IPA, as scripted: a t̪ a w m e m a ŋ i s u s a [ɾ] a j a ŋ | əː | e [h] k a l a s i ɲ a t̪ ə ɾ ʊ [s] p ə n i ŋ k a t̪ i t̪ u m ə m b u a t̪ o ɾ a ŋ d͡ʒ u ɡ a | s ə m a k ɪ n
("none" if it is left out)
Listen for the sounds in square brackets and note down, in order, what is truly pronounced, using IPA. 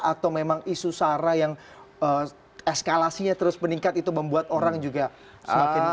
ɾ, s, s

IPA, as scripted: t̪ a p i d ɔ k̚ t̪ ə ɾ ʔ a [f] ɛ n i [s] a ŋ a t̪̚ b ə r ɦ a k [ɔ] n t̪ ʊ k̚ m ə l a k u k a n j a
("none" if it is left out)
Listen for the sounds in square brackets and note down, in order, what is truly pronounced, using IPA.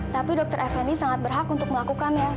f, s, u

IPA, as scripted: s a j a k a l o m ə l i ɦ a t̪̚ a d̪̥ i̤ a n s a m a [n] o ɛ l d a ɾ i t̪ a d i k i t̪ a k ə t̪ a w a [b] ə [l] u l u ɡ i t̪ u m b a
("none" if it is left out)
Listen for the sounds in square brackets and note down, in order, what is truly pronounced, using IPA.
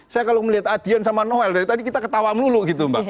n, m, l

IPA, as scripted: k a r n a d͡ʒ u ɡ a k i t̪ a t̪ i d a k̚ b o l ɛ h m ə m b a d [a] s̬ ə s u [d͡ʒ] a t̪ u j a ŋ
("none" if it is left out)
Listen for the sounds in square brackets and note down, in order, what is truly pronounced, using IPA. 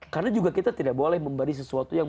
i, none

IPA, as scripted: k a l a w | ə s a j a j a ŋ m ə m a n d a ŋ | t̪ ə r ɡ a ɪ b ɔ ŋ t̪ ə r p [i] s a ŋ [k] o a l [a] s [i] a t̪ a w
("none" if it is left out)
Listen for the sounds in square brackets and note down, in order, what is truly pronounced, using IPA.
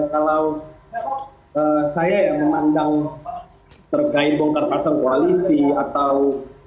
a, k, i, i

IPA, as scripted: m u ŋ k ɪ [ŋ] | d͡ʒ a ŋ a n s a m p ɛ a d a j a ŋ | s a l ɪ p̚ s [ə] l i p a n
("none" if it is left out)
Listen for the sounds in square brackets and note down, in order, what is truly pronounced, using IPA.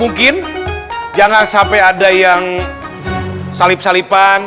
n, a

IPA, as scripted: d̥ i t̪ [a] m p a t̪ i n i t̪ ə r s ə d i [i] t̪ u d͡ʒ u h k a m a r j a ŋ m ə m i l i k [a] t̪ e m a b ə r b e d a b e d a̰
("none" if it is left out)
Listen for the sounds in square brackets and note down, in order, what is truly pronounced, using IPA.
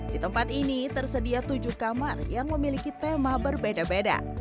ə, a, i

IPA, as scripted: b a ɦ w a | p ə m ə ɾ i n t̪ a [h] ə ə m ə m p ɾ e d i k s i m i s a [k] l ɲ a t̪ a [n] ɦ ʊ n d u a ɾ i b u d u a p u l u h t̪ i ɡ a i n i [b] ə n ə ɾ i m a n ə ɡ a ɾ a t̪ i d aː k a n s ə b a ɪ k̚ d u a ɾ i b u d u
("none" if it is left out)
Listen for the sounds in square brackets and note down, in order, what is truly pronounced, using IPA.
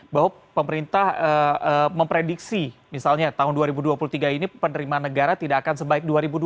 h, none, none, p

